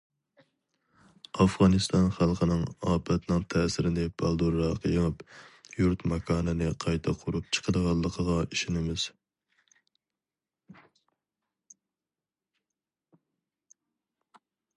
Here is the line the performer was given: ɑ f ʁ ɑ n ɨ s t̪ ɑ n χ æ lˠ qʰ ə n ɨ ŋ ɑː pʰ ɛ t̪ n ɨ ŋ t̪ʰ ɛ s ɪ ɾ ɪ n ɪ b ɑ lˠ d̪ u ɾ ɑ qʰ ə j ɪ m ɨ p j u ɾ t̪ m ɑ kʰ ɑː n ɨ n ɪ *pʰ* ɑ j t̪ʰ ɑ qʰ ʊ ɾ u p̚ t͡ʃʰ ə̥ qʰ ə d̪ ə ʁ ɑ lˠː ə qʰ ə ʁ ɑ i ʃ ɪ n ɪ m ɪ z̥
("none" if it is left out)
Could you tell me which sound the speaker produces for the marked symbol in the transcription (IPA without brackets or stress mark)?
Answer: qʰ